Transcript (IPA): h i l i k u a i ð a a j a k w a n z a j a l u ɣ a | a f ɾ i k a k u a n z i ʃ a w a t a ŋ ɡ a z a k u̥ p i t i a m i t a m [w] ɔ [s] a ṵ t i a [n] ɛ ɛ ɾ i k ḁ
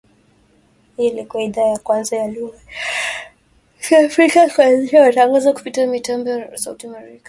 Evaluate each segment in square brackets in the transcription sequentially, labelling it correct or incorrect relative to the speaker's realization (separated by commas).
incorrect, correct, incorrect